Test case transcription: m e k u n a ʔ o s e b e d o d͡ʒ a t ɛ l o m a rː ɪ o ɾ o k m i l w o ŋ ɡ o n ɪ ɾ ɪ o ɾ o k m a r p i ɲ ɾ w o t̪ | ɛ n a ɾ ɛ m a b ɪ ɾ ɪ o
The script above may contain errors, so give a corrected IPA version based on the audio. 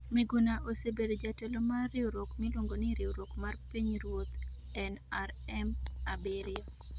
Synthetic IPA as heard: m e ɡ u n a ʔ o s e b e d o d͡ʒ a t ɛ l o m a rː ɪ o ɾ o k m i l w o ŋ ɡ o n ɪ ɾ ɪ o ɾ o k m a r p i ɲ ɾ w o t̪ | ɛ n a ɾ ɛ m a b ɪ ɾ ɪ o